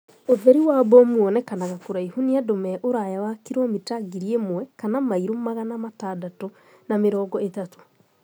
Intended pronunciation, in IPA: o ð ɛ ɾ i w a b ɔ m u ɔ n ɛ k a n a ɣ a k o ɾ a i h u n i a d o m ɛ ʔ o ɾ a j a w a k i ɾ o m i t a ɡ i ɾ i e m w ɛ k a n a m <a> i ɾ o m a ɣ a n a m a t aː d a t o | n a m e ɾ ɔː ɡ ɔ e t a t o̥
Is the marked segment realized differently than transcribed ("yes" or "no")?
no